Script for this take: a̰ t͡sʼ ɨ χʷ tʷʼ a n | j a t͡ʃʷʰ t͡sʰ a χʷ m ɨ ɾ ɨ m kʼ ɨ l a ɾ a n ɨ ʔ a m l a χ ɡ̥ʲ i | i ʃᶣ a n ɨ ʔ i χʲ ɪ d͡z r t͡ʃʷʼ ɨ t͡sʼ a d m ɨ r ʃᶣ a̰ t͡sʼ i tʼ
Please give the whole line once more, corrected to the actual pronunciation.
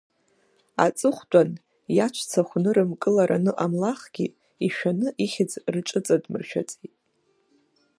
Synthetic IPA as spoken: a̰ t͡sʼ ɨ χʷ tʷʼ a n | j a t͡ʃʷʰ t͡sʰ a χʷ n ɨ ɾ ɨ m kʼ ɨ l a ɾ a n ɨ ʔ a m l a χ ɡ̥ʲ i | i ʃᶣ a n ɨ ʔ i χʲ ɪ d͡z r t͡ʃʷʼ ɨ t͡sʼ a d m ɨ r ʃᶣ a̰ t͡sʼ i tʼ